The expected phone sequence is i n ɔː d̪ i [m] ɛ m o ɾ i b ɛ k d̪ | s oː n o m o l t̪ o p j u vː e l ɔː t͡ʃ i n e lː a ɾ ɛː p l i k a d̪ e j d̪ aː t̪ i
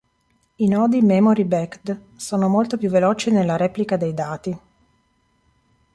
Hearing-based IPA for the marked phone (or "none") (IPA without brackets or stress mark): m